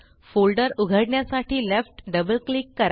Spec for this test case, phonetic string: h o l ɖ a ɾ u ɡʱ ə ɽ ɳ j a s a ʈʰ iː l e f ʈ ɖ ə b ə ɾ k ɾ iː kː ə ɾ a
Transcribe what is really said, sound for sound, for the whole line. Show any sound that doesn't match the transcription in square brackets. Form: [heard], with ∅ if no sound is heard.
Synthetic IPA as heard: [f] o l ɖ [ə] ɾ u ɡʱ ə ɽ ɳ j a s a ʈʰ iː l e f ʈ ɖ ə b ə [l] k [l] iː kː ə ɾ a

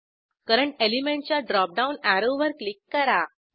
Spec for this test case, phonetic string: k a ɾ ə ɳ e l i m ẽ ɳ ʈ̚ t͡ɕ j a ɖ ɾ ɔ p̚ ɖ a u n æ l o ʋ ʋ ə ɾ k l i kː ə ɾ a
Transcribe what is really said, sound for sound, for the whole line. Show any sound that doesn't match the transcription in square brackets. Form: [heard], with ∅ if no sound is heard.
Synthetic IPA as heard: k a ɾ ə ɳ e l i m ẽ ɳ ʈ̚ t͡ɕ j a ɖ ɾ ɔ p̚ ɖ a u n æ [ɾ] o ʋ ʋ ə ɾ k l i kː ə ɾ a

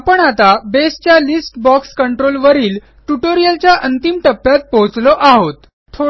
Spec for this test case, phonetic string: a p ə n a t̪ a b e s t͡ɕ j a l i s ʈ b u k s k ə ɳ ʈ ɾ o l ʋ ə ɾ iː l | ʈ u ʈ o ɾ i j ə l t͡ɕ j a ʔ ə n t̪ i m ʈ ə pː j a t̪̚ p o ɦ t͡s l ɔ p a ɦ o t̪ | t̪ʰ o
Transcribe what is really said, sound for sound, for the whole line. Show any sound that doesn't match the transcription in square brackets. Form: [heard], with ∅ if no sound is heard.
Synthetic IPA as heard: a p ə [ɳ] a t̪ a b e s t͡ɕ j a l i s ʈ b [ɔ] k s k ə ɳ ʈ ɾ o l ʋ ə ɾ iː l | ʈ u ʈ o ɾ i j ə l t͡ɕ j a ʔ ə n t̪ i m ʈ ə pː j a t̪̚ p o ɦ t͡s l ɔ [ʔ] a ɦ o t̪ | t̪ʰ o

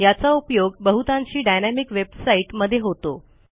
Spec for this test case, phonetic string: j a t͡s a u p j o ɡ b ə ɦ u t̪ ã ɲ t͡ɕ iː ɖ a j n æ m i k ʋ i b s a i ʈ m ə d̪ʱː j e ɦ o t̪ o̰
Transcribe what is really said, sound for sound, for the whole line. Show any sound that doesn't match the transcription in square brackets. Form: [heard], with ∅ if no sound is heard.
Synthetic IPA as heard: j a t͡s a u p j o ɡ b ə ɦ u t̪ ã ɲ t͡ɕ iː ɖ a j n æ m i k ʋ [e] b s a i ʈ m ə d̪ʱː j e ɦ o t̪ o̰

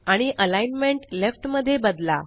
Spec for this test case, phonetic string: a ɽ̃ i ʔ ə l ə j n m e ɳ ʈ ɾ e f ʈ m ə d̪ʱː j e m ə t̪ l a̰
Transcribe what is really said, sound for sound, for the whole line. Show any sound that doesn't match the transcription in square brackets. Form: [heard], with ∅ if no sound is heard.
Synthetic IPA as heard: a ɽ̃ i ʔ ə l [a] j n m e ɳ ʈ [l] e f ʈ m ə d̪ʱː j e [b] ə [d̪] l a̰

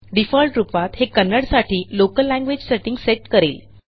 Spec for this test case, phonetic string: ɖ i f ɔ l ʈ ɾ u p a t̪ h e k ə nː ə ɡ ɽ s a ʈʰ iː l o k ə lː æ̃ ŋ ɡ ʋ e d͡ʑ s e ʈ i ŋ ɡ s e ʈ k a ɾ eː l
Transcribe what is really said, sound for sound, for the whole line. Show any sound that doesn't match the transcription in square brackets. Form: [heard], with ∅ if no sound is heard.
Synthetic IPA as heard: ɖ i f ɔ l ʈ ɾ u p a t̪ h e k ə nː ə [∅] ɽ s a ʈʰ iː l o k ə lː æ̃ ŋ ɡ ʋ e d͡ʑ s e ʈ i ŋ ɡ s e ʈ k [ə] ɾ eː l

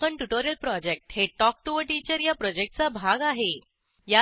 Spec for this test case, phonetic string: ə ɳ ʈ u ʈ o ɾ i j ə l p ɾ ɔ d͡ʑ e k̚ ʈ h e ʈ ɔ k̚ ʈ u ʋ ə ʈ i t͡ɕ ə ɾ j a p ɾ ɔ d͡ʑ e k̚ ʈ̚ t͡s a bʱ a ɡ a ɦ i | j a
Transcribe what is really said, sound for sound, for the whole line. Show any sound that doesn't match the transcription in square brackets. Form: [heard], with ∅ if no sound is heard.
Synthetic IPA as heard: ə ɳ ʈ u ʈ o ɾ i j ə l p ɾ ɔ d͡ʑ e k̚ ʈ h e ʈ ɔ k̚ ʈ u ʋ ə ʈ i t͡ɕ ə ɾ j a p ɾ ɔ d͡ʑ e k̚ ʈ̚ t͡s a bʱ a ɡ a ɦ [e] | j a

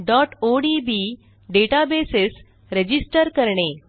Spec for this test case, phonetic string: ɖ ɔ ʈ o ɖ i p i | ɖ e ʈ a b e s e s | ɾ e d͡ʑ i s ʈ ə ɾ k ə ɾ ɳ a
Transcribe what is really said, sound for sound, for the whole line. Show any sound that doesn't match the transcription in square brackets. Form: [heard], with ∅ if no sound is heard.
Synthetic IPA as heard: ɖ ɔ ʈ o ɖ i [b] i | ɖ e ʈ a b e s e s | ɾ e d͡ʑ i s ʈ ə ɾ k ə ɾ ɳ [e]

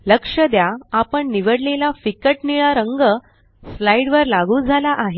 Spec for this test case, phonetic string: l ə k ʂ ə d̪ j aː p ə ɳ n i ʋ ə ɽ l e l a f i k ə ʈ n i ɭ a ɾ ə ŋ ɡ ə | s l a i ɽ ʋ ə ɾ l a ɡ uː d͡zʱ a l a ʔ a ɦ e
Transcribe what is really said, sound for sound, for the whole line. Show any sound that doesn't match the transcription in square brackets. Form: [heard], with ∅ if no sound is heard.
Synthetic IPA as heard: l ə k ʂ ə d̪ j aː p ə ɳ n i ʋ ə ɽ l e l a f i k ə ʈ n i ɭ a ɾ ə ŋ ɡ ə | s l a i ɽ ʋ ə ɾ l a ɡ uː d͡zʱ a l a ʔ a ɦ e

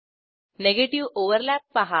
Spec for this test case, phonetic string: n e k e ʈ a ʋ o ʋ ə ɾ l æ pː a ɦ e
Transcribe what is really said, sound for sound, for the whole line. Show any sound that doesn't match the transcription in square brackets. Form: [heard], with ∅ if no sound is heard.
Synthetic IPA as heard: n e [ɡ] e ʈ [i] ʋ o ʋ ə ɾ l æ pː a ɦ [a]

